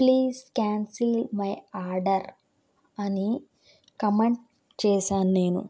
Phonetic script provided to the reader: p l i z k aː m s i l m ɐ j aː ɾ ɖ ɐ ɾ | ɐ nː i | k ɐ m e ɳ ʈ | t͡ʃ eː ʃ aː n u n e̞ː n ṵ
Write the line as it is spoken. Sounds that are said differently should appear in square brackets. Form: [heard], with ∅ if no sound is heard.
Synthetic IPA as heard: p l [iː] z k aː [n] s i l m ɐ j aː ɾ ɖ ɐ ɾ | ɐ [n] i | k ɐ m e ɳ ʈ | t͡ʃ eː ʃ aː n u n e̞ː n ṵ